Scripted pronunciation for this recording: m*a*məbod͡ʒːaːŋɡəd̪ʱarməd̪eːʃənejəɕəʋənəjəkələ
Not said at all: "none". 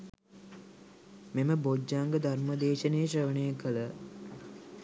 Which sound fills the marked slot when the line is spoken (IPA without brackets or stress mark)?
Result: e